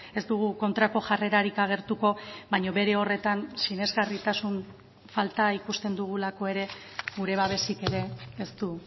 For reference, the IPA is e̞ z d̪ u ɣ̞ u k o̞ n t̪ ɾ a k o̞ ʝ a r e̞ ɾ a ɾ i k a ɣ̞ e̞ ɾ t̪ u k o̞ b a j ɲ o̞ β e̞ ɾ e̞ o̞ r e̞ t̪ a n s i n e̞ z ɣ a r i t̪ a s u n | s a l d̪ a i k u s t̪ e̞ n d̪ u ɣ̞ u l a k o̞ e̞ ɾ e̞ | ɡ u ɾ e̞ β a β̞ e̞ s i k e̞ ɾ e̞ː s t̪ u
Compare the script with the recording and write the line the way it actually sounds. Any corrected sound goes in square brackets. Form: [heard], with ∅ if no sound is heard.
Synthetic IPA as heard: e̞ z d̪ u ɣ̞ u k o̞ n t̪ ɾ a k o̞ ʝ a r e̞ ɾ a ɾ i k a ɣ̞ e̞ ɾ t̪ u k o̞ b a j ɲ o̞ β e̞ ɾ e̞ o̞ r e̞ t̪ a n s i n e̞ z ɣ a r i t̪ a s u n | [f] a l [t̪] a i k u s t̪ e̞ n d̪ u ɣ̞ u l a k o̞ e̞ ɾ e̞ | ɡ u ɾ e̞ β a β̞ e̞ s i k e̞ ɾ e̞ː s t̪ u